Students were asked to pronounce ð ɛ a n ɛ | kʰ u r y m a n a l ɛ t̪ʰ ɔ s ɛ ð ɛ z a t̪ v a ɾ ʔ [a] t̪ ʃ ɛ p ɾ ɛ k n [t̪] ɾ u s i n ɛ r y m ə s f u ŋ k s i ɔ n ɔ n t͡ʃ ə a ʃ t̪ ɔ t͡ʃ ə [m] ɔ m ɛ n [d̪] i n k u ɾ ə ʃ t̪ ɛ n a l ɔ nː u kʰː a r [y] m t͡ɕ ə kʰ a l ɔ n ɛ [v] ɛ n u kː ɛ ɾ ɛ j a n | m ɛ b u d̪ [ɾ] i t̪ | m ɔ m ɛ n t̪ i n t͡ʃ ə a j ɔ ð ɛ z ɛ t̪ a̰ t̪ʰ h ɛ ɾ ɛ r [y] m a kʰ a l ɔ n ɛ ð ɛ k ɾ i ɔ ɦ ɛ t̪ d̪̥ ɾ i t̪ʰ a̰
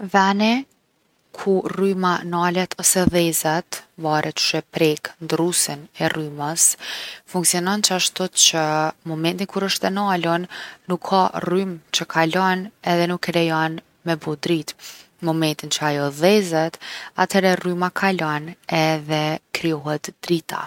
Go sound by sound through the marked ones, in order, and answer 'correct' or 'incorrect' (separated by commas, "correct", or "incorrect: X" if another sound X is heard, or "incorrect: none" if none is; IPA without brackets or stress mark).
incorrect: ɛ, incorrect: d̪, correct, incorrect: t̪, correct, incorrect: ð, correct, correct